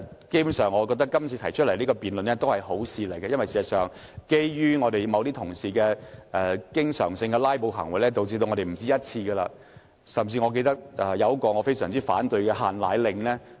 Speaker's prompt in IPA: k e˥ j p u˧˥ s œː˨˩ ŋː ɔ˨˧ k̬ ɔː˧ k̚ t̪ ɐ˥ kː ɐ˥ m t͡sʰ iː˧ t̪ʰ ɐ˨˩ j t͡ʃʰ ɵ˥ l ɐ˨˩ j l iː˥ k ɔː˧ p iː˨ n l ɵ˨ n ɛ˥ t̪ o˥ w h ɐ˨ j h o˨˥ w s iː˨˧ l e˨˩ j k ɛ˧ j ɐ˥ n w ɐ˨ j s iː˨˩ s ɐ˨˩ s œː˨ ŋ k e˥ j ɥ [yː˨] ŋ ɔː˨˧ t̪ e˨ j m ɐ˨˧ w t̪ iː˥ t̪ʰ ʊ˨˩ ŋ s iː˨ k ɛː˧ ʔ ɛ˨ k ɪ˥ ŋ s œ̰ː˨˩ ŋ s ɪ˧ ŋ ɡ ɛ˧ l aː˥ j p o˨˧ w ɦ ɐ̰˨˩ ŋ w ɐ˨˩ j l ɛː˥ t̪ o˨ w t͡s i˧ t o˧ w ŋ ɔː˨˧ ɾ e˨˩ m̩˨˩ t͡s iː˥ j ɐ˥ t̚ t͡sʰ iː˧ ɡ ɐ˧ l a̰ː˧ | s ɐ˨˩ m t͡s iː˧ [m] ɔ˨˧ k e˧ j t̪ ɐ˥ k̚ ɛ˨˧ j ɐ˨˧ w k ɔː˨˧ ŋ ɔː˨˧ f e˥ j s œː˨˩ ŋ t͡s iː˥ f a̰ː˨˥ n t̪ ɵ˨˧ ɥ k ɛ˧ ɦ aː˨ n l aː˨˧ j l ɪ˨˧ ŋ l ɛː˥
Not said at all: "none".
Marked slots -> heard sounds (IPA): yː˥, ŋ

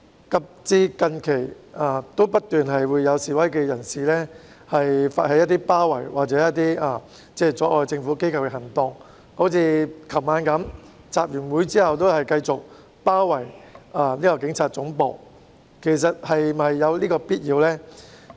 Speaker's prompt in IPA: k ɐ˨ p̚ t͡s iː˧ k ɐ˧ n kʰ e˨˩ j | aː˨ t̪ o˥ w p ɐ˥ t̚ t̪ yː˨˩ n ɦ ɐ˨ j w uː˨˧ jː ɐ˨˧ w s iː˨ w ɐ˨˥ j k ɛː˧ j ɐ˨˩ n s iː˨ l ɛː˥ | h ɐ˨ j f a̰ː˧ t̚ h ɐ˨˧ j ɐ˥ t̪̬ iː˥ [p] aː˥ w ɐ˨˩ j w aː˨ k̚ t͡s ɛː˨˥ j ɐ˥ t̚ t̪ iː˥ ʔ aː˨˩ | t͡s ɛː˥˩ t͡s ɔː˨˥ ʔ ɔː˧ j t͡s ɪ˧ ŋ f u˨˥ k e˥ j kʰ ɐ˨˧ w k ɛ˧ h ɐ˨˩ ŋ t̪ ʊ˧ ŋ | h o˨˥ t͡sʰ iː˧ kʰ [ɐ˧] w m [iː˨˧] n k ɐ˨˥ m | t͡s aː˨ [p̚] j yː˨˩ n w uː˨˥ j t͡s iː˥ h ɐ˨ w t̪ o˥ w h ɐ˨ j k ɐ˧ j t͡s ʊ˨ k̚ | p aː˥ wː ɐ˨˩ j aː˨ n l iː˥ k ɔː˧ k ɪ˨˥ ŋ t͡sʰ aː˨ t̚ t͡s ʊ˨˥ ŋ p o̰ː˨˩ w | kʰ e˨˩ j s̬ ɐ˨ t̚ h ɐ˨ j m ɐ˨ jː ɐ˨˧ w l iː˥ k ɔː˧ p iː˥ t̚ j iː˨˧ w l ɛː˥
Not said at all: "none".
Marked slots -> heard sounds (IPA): p, ɐ˨˩, aː˨˧, p̚

